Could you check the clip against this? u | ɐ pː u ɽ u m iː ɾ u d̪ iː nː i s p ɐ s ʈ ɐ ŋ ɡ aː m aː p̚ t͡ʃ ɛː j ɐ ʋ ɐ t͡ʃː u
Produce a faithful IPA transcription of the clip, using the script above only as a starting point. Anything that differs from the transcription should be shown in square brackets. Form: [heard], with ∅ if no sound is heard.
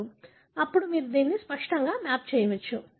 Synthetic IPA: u | ɐ pː u ɽ u m iː ɾ u d̪ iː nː i s p ɐ [ʂ] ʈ ɐ ŋ ɡ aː m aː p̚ t͡ʃ ɛː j ɐ ʋ ɐ t͡ʃː u